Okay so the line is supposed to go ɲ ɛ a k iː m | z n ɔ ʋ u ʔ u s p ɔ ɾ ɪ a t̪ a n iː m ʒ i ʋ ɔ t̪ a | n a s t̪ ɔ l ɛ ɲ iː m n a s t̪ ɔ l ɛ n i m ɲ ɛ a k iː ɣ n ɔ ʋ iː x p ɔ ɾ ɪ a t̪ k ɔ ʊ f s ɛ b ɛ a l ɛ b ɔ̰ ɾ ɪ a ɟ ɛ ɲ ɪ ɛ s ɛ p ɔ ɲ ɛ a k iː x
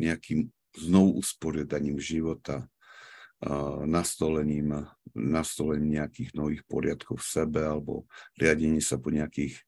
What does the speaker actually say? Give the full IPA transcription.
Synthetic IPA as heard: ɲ ɛ a k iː m | z n ɔ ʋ u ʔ u s p ɔ ɾ ɪ a d̪ a ɲ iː m ʒ i ʋ ɔ t̪ a | n a s t̪ ɔ l ɛ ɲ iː m n a s t̪ ɔ l ɛ ɲ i m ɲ ɛ a k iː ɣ n ɔ ʋ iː x p ɔ ɾ ɪ a t̪ k ɔ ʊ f s ɛ b ɛ a l ɛ b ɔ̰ ɾ ɪ a ɟ ɛ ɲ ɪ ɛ s a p ɔ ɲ ɛ a k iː x